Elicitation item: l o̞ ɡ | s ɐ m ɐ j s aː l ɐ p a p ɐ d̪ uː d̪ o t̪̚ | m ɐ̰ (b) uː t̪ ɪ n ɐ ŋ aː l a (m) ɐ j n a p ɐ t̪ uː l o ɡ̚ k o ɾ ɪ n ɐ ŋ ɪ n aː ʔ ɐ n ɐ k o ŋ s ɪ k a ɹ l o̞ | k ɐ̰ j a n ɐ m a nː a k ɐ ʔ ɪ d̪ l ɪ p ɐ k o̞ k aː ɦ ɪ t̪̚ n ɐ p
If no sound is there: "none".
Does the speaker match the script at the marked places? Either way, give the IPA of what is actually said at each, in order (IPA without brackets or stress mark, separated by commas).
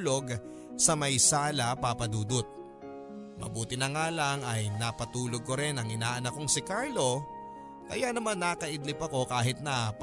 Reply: b, ŋ